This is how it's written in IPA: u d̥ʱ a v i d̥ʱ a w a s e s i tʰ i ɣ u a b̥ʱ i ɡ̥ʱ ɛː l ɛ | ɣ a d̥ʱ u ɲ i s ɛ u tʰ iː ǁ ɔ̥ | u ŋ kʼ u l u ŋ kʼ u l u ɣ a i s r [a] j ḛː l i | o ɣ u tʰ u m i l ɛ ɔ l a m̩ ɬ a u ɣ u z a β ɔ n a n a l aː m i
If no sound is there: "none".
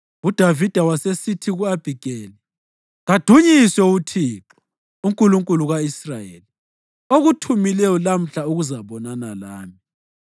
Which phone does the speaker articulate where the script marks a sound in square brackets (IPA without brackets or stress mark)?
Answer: a